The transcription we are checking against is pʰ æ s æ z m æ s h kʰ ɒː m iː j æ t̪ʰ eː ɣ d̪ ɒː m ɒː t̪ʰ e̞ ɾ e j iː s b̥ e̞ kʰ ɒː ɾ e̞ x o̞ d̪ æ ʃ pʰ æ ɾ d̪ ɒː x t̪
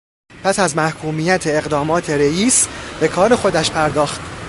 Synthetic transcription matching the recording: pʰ æ s æ z m æ h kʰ uː m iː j æ t̪ʰ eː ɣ d̪ ɒː m ɒː t̪ʰ e̞ ɾ e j iː s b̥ e̞ kʰ ɒː ɾ e̞ x o̞ d̪ æ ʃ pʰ æ ɾ d̪ ɒː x t̪